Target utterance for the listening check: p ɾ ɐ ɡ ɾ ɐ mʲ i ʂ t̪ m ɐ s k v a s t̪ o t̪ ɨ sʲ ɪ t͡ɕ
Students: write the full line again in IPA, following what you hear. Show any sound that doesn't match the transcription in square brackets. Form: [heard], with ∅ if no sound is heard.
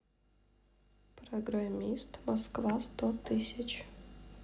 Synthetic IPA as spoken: p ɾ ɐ ɡ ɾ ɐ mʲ i [s] t̪ m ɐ s k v a s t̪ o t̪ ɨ sʲ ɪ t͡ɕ